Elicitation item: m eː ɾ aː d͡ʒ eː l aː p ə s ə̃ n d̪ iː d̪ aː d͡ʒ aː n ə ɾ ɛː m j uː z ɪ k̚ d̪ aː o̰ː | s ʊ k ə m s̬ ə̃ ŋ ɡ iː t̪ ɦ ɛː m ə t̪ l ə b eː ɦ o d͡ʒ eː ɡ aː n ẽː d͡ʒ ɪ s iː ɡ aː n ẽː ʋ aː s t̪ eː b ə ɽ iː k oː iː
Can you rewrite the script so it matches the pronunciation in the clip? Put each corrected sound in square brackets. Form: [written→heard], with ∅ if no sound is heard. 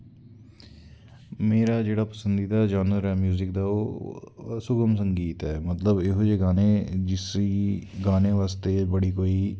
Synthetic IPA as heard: m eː ɾ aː d͡ʒ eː [l→ɽ] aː p ə s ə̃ n d̪ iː d̪ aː d͡ʒ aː n ə ɾ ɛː m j uː z ɪ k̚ d̪ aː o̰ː | s ʊ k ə m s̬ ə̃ ŋ ɡ iː t̪ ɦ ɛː m ə t̪ l ə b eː ɦ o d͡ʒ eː ɡ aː n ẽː d͡ʒ ɪ s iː ɡ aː n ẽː ʋ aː s t̪ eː b ə ɽ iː k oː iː